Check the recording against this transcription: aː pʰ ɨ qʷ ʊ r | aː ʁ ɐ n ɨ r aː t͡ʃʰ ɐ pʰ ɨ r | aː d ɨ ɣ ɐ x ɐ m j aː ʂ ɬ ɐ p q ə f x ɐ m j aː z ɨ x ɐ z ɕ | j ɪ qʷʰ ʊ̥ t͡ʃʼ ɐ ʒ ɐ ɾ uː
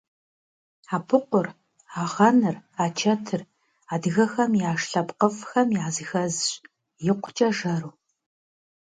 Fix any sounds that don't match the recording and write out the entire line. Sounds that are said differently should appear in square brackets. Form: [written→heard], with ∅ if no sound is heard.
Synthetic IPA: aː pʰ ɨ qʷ ʊ r | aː ʁ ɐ n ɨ r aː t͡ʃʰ ɐ [pʰ→tʰ] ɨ r | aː d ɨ ɣ ɐ x ɐ m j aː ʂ ɬ ɐ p q ə f x ɐ m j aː z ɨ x ɐ z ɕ | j ɪ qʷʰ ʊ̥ t͡ʃʼ ɐ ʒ ɐ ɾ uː